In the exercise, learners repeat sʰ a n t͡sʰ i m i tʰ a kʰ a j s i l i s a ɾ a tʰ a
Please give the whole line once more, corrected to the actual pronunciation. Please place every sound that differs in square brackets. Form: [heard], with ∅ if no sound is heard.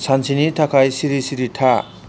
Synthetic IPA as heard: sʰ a n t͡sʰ i [n] i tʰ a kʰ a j s i [ɾ] i s [i] ɾ [i] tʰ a